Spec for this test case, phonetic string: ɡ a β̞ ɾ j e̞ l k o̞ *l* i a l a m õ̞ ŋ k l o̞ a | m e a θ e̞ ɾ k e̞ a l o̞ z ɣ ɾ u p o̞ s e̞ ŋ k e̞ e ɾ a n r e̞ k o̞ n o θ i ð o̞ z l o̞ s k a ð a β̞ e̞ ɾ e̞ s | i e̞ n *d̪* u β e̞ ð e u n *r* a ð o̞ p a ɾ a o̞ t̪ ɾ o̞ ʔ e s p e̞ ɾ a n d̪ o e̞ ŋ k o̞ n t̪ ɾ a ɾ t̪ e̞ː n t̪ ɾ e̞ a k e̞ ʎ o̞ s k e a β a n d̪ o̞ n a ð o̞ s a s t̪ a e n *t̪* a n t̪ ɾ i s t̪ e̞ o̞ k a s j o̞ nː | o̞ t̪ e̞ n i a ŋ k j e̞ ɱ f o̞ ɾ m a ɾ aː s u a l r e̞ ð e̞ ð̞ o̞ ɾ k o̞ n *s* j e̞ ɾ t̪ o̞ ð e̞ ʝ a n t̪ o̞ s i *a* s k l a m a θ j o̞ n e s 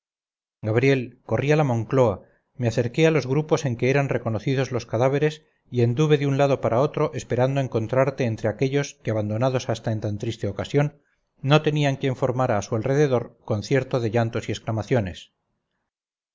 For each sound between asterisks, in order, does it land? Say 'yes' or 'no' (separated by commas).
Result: no, yes, no, yes, no, no